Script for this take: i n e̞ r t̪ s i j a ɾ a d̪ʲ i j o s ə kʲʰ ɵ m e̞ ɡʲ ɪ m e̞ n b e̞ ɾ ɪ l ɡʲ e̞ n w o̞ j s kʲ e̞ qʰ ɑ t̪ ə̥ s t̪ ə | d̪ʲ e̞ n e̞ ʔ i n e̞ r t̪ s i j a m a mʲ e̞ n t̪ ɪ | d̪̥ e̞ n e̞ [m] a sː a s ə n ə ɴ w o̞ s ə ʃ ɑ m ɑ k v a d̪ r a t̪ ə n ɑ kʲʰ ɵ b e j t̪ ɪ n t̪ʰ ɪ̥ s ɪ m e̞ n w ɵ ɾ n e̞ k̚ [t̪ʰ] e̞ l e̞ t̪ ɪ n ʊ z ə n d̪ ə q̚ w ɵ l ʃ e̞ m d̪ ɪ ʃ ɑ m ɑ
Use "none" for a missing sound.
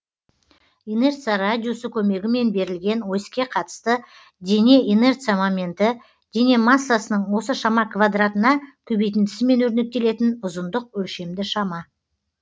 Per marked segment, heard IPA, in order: m, t̪

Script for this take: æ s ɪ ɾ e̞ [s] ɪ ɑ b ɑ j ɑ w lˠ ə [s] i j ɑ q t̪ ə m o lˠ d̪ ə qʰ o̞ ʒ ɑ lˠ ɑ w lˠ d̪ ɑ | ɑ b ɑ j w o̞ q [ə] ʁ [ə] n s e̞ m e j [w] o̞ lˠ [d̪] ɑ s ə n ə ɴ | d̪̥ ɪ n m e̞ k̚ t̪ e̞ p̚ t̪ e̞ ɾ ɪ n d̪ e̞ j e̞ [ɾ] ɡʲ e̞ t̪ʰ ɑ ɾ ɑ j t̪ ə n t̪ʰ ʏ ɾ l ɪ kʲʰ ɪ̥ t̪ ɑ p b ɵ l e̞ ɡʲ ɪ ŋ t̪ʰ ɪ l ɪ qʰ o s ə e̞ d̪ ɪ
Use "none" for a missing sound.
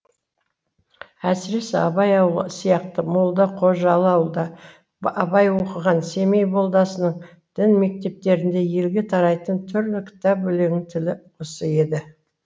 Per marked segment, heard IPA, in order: s, s, ə, ɑ, b, d̪, l

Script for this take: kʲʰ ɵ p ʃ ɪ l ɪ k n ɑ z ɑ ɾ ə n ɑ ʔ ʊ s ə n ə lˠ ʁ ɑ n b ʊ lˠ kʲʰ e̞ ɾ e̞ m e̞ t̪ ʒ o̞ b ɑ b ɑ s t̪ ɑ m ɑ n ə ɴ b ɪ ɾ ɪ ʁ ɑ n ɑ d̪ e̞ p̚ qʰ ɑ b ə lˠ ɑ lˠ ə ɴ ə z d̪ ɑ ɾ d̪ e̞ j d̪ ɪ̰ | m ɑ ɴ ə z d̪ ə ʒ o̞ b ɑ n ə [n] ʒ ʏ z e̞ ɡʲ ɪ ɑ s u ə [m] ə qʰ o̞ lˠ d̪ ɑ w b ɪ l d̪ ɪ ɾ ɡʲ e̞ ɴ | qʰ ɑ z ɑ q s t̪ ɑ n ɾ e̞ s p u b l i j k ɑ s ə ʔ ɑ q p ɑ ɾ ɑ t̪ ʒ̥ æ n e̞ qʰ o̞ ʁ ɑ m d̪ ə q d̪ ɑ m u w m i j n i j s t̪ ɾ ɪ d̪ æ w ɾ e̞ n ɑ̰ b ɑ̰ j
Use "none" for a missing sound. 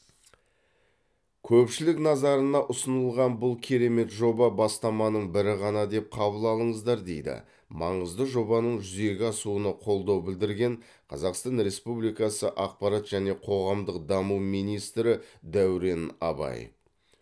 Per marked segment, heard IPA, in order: ɴ, n

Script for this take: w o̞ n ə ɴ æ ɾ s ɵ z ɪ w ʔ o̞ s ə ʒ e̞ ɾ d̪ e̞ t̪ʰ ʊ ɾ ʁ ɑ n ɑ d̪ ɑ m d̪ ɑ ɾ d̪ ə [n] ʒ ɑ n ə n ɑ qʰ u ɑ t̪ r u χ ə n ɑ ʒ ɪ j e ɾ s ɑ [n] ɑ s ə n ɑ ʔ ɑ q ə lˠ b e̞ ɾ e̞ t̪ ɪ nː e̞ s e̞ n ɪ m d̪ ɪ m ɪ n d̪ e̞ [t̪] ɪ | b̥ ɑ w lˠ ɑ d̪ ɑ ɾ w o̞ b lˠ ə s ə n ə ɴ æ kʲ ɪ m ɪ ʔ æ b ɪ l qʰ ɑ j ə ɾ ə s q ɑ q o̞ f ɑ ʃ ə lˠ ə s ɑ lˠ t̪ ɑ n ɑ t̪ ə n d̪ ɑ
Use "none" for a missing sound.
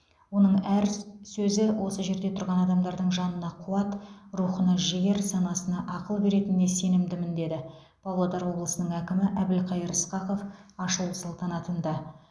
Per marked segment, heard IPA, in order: ɴ, n, d̪

